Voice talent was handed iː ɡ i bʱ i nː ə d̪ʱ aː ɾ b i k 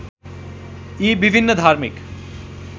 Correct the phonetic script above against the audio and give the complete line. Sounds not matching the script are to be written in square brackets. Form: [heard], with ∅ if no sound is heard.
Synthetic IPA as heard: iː [b] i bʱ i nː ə d̪ʱ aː ɾ [m] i k